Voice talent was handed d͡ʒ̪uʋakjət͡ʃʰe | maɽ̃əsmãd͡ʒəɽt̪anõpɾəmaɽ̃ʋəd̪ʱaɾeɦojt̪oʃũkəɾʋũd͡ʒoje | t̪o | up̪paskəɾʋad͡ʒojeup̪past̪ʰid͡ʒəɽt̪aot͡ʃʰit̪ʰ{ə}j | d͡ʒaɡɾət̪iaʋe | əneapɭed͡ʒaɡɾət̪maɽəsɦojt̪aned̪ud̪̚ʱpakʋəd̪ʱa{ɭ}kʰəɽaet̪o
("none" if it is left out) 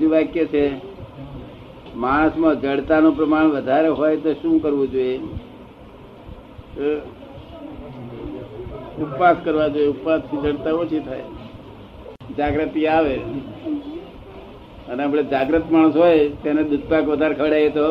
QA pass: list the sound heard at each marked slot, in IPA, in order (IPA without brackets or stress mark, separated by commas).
a, ɾ